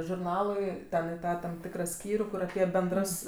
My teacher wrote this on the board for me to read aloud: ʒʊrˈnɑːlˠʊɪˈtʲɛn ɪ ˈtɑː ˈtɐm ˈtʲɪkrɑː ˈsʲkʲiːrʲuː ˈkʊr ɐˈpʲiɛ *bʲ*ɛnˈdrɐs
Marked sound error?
no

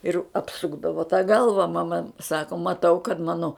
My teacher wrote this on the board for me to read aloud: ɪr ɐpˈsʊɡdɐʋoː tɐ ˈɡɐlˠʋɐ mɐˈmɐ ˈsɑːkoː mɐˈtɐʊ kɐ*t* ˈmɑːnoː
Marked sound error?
no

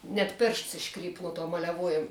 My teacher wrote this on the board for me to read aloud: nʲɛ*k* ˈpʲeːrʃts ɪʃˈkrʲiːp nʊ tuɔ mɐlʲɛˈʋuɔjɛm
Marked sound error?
yes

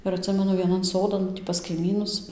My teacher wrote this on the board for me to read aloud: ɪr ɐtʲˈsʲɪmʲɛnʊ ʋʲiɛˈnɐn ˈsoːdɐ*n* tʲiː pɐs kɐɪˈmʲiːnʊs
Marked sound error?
no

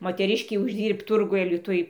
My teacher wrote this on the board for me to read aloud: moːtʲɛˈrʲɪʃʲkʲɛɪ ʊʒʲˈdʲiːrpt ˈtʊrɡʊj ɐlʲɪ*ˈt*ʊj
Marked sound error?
no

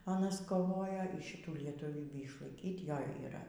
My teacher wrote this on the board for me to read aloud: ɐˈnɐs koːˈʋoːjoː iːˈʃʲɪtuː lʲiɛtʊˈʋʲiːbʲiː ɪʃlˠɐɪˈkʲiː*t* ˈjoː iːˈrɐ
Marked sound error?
no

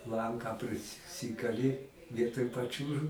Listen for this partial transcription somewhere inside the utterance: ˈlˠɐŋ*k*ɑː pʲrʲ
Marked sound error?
no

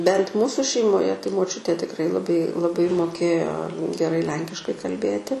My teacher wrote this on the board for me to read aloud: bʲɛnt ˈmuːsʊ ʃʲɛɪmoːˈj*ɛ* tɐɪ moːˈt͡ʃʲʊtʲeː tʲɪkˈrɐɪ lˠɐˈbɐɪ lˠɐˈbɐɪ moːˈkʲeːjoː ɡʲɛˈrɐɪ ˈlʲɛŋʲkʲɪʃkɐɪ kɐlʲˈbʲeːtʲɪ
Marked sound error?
no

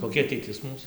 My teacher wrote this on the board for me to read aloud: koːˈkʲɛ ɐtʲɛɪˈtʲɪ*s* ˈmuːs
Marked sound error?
no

